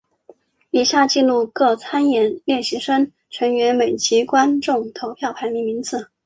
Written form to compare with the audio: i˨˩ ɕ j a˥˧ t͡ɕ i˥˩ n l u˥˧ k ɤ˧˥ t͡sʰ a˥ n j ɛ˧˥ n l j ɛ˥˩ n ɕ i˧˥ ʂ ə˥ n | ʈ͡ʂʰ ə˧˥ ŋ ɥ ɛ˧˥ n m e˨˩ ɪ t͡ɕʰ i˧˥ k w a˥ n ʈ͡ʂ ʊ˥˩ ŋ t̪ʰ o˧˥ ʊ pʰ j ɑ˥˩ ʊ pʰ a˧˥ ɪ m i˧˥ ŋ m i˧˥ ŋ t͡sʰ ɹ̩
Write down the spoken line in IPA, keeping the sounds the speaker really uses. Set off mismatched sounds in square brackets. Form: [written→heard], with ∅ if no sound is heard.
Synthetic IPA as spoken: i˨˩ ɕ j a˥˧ t͡ɕ [i˥˩→i˥˧] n l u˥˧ k [ɤ˧˥→ɤ˥˩] t͡sʰ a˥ n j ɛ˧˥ n l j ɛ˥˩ n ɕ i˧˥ ʂ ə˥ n | ʈ͡ʂʰ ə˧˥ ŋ ɥ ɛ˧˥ n m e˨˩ ɪ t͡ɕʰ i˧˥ k w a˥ n ʈ͡ʂ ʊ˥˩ ŋ t̪ʰ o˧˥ ʊ pʰ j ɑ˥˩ ʊ pʰ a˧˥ ɪ m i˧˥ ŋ m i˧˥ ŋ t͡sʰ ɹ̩